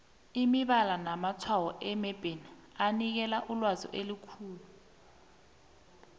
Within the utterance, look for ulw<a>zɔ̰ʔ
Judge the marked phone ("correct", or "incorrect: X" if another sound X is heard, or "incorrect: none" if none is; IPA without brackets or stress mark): correct